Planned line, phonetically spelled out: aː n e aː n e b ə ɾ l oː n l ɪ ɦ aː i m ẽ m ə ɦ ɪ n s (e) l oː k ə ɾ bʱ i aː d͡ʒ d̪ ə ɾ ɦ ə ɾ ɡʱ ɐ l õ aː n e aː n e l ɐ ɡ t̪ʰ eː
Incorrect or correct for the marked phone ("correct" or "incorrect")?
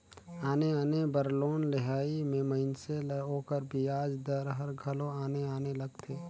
correct